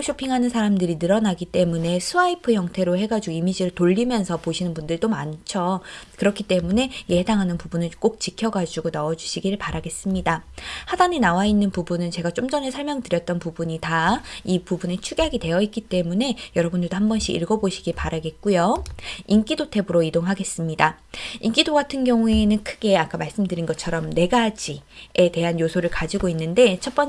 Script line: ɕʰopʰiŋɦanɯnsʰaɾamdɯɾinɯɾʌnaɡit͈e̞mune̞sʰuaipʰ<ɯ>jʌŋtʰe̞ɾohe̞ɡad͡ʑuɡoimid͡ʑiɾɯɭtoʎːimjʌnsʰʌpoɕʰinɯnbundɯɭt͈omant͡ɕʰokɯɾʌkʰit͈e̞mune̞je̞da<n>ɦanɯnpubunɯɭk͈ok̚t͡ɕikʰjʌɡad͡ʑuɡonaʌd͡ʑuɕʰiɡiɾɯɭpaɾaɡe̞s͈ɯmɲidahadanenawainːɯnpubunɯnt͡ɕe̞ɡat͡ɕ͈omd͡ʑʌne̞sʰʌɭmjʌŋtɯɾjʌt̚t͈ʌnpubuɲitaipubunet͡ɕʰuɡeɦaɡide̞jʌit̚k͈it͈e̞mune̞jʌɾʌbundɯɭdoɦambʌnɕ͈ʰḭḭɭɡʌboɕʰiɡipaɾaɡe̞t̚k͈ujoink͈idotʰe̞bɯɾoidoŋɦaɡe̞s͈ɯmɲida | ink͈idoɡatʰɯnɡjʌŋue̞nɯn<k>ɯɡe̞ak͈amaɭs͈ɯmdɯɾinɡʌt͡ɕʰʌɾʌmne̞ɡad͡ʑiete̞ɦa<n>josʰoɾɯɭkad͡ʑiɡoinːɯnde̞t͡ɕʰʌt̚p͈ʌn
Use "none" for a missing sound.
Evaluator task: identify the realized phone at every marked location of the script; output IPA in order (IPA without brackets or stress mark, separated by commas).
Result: ɯ, ŋ, kʰ, n